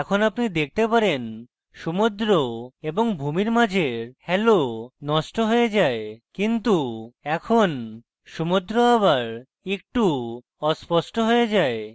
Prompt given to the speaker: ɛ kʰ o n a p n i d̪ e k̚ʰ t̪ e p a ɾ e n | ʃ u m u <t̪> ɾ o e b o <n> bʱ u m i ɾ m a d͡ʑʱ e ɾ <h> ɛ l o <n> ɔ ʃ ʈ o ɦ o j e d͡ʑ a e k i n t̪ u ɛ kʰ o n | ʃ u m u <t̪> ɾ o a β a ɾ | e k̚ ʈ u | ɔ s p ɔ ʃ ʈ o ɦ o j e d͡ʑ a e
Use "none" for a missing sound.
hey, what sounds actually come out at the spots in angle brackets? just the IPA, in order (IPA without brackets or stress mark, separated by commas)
d̪, ŋ, h, n, d̪